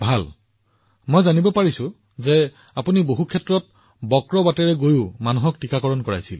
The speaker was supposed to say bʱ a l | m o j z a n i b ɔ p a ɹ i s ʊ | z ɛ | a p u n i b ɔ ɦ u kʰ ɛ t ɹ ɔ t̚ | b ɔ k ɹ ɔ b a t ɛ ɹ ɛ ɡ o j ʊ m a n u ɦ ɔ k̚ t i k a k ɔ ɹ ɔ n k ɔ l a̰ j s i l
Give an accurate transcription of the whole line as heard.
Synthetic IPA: bʱ a l | m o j z a n i b ɔ p a ɹ i s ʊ | z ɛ | a p u n i b o ɦ u kʰ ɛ t ɹ ɔ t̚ | b ɔ k ɹ ɔ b a t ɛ ɹ ɛ ɡ o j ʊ m a n u ɦ ɔ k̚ t i k a k ɔ ɹ ɔ n k ɔ ɹ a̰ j s i l